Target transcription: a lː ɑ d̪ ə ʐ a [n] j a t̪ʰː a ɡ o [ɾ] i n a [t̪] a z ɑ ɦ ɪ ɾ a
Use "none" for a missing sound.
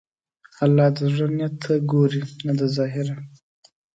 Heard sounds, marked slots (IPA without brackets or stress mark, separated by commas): n, ɾ, d̪